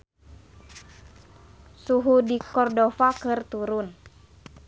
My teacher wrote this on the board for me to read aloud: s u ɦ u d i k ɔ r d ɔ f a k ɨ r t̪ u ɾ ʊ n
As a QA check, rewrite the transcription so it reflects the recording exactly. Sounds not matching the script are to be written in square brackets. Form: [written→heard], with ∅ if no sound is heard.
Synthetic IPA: s u ɦ u d i k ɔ r d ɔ f a k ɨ r t̪ u ɾ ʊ n